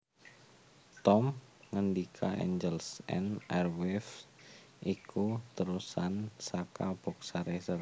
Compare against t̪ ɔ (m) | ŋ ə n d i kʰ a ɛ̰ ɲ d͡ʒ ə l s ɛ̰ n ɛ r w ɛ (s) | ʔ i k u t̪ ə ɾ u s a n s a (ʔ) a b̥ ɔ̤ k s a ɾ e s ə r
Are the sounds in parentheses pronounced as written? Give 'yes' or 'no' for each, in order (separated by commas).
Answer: yes, no, no